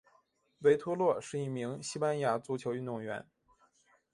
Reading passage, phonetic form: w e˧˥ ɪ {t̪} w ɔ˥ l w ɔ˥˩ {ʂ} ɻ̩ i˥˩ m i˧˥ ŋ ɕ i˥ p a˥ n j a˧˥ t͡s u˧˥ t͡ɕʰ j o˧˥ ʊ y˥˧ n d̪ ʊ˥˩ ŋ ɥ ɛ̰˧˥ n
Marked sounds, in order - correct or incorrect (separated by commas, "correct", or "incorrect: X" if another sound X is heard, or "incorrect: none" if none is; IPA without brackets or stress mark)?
incorrect: t̪ʰ, correct